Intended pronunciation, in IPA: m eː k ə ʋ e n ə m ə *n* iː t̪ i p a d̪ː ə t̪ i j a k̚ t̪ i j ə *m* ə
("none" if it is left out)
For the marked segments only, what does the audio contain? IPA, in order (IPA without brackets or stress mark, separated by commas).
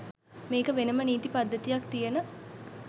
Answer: n, n